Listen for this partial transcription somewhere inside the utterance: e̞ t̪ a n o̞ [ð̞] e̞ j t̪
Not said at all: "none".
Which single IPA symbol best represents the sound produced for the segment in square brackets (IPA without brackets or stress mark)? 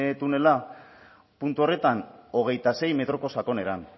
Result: ɣ̞